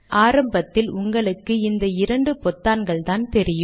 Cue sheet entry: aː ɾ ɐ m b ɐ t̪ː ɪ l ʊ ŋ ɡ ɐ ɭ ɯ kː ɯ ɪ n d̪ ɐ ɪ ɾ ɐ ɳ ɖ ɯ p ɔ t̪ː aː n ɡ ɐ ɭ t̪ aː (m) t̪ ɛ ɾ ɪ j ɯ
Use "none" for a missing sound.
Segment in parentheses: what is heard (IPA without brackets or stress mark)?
n